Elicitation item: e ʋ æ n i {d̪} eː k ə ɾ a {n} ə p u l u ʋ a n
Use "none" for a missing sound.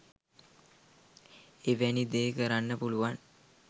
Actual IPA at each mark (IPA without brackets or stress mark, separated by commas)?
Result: d̪, nː